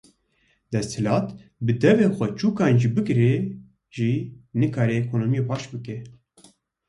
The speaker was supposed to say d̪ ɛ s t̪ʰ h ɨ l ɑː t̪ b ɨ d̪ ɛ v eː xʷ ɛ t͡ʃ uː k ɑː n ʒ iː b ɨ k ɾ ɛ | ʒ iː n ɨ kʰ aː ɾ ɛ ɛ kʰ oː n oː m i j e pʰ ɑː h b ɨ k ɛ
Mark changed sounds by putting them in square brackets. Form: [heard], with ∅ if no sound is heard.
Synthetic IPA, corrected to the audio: d̪ ɛ s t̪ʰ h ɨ l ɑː t̪ b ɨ d̪ ɛ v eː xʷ ɛ t͡ʃ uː k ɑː n ʒ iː b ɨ k ɾ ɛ | ʒ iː n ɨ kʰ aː ɾ ɛ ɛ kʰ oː n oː m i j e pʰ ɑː [ʃ] b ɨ k ɛ